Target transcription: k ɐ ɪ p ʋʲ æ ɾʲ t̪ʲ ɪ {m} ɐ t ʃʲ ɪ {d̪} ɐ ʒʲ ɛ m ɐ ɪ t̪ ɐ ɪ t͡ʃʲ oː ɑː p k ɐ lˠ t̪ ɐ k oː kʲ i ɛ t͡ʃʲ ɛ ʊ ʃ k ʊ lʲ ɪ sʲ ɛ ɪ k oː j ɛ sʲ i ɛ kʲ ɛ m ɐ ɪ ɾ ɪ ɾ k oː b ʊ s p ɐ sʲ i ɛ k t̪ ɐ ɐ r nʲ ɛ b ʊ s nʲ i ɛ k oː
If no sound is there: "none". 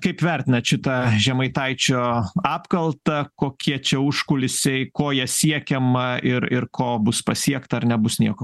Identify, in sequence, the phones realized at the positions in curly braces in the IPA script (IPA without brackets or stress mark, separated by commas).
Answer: n, t̪